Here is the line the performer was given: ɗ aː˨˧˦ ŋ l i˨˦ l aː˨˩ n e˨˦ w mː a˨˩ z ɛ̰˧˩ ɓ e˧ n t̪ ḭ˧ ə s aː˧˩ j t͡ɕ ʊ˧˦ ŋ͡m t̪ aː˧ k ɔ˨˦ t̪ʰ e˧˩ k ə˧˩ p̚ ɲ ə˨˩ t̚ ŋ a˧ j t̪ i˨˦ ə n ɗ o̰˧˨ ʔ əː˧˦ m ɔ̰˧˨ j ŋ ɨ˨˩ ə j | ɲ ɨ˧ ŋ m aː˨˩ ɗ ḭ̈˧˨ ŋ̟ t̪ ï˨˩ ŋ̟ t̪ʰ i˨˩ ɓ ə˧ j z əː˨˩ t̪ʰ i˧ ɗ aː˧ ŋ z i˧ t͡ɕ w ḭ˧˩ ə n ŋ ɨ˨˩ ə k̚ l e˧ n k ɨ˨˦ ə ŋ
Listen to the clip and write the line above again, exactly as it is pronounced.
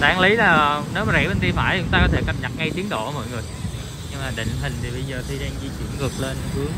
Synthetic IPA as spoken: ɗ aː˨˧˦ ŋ l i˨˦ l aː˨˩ n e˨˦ w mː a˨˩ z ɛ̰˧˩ ɓ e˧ n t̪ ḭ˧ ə f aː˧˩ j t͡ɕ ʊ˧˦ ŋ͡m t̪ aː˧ k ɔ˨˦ t̪ʰ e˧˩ k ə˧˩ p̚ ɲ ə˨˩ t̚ ŋ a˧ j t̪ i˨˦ ə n ɗ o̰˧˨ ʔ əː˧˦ m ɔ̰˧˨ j ŋ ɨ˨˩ ə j | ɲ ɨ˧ ŋ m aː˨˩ ɗ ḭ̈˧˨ ŋ̟ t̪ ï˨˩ ŋ̟ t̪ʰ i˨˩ ɓ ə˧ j z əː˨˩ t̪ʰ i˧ ɗ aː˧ ŋ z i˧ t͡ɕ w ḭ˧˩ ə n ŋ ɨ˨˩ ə k̚ l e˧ n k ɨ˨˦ ə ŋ